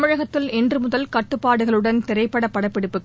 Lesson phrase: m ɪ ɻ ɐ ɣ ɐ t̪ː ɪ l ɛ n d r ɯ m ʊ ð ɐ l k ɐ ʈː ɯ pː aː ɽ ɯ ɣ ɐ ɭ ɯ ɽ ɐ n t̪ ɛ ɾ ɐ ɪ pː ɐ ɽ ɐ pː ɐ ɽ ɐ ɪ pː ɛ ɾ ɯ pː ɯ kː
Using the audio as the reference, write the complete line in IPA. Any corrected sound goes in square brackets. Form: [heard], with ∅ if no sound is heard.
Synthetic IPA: m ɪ ɻ ɐ ɣ ɐ t̪ː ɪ l ɛ n d r ɯ m ʊ ð ɐ l k ɐ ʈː ɯ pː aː ɽ ɯ ɣ ɐ ɭ ɯ ɽ ɐ n t̪ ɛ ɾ ɐ ɪ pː ɐ ɽ ɐ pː ɐ ɽ ɐ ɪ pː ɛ [ɽ] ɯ pː ɯ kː

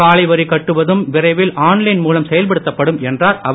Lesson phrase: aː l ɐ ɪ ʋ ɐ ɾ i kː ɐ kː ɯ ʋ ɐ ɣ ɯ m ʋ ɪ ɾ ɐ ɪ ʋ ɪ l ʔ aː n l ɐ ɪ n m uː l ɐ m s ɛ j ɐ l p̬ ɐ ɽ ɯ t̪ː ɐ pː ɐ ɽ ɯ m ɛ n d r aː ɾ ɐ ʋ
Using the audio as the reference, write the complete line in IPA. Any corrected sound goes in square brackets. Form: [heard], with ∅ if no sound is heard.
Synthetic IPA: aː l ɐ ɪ ʋ ɐ ɾ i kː ɐ [ʈː] ɯ ʋ ɐ [ð] ɯ m ʋ ɪ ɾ ɐ ɪ ʋ ɪ l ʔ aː n l ɐ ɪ n m uː l ɐ m s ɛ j ɐ l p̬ ɐ ɽ ɯ t̪ː ɐ pː ɐ ɽ ɯ m ɛ n d r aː ɾ ɐ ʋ

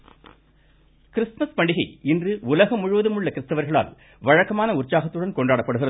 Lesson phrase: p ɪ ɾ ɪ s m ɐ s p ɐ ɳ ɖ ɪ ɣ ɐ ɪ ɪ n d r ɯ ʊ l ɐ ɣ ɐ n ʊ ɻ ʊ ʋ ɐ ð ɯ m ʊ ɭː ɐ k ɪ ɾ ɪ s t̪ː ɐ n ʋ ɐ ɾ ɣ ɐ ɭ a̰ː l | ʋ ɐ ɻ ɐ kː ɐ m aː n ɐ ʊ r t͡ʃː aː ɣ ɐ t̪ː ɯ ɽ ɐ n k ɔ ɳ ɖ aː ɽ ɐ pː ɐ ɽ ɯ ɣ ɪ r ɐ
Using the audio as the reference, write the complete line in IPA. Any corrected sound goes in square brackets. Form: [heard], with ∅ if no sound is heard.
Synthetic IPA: [k] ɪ ɾ ɪ s m ɐ s p ɐ ɳ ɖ ɪ ɣ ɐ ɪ ɪ n d r ɯ ʊ l ɐ ɣ ɐ [m] ʊ ɻ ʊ ʋ ɐ ð ɯ m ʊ ɭː ɐ k ɪ ɾ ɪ s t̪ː ɐ [∅] ʋ ɐ ɾ ɣ ɐ ɭ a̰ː l | ʋ ɐ ɻ ɐ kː ɐ m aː n ɐ ʊ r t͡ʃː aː ɣ ɐ t̪ː ɯ ɽ ɐ n k ɔ ɳ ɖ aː ɽ ɐ pː ɐ ɽ ɯ ɣ ɪ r ɐ

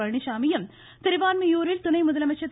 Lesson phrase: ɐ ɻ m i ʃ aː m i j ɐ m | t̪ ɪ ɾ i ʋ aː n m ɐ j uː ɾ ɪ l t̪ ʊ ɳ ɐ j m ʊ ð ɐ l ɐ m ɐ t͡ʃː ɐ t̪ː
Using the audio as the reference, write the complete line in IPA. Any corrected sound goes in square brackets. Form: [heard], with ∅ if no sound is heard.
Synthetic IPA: ɐ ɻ [ɳ] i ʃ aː m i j ɐ m | t̪ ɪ ɾ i ʋ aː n m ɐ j uː ɾ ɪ l t̪ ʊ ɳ ɐ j m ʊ ð ɐ l ɐ m ɐ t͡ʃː ɐ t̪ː

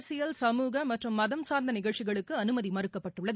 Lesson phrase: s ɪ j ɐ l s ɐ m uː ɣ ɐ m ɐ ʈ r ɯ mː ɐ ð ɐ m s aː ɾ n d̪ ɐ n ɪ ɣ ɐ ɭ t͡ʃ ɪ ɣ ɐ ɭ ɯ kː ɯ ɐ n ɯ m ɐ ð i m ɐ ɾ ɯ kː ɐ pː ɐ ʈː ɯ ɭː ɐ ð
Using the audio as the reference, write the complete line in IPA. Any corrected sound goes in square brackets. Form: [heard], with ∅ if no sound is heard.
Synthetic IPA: s ɪ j ɐ l s ɐ m uː ɣ ɐ m ɐ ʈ r ɯ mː ɐ ð ɐ m s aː ɾ n d̪ ɐ n ɪ ɣ ɐ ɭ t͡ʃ ɪ ɣ ɐ ɭ ɯ kː ɯ ɐ n ɯ m ɐ ð i m ɐ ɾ ɯ kː ɐ pː ɐ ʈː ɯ ɭː ɐ ð

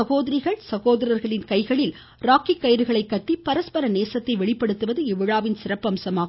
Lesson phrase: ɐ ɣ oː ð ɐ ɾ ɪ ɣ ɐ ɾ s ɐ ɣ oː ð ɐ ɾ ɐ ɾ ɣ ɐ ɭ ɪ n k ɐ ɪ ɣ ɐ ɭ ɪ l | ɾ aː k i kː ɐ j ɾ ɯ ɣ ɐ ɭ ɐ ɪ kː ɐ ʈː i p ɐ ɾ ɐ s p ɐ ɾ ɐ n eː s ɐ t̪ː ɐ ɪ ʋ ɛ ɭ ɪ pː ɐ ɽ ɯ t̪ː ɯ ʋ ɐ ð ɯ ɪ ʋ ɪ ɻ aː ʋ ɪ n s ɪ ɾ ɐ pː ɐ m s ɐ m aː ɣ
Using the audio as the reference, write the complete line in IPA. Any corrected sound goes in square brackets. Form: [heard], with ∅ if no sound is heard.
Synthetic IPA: ɐ ɣ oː ð ɐ ɾ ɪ ɣ ɐ [ɭ] s ɐ ɣ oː ð ɐ ɾ ɐ ɾ ɣ ɐ ɭ ɪ n k ɐ ɪ ɣ ɐ ɭ ɪ l | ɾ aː k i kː ɐ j ɾ ɯ ɣ ɐ ɭ ɐ ɪ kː ɐ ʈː i p ɐ ɾ ɐ s p ɐ ɾ ɐ n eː s ɐ t̪ː ɐ ɪ ʋ ɛ ɭ ɪ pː ɐ ɽ ɯ t̪ː ɯ ʋ ɐ ð ɯ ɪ ʋ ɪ ɻ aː ʋ ɪ n s ɪ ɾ ɐ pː ɐ m s ɐ m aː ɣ

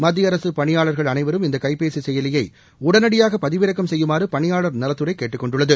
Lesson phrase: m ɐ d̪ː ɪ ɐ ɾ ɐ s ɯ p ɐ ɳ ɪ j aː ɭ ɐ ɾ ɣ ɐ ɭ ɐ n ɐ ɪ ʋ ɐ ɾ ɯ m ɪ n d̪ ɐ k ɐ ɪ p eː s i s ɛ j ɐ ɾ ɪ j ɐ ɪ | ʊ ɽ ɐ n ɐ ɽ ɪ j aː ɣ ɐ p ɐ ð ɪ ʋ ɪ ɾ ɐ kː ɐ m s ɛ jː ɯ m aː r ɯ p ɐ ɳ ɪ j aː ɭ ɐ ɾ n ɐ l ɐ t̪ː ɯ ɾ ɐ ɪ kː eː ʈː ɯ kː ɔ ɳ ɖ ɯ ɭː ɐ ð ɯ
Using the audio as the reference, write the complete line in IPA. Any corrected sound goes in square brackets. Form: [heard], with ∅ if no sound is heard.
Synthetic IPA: m ɐ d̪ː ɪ ɐ ɾ ɐ s ɯ p ɐ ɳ ɪ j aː ɭ ɐ ɾ ɣ ɐ ɭ ɐ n ɐ ɪ ʋ ɐ ɾ ɯ m ɪ n d̪ ɐ k ɐ ɪ p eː s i s ɛ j ɐ [l] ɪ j ɐ ɪ | ʊ ɽ ɐ n ɐ ɽ ɪ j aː ɣ ɐ p ɐ ð ɪ ʋ ɪ ɾ ɐ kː ɐ m s ɛ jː ɯ m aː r ɯ p ɐ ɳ ɪ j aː ɭ ɐ ɾ n ɐ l ɐ t̪ː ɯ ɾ ɐ ɪ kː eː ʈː ɯ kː ɔ ɳ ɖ ɯ ɭː ɐ ð ɯ

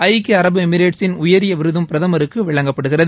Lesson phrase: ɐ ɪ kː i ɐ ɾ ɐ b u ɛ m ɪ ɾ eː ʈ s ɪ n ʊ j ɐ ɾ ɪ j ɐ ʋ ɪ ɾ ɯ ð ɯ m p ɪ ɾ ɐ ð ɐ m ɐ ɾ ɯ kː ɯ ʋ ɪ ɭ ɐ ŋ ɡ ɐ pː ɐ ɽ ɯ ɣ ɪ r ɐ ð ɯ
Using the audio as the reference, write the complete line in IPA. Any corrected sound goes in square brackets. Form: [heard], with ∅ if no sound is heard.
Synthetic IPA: ɐ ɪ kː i ɐ ɾ ɐ b [ɯ] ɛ m ɪ ɾ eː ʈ s ɪ n ʊ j ɐ ɾ ɪ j ɐ ʋ ɪ ɾ ɯ ð ɯ m p ɪ ɾ ɐ ð ɐ m ɐ ɾ ɯ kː ɯ ʋ ɪ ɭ ɐ ŋ ɡ ɐ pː ɐ ɽ ɯ ɣ ɪ r ɐ ð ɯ

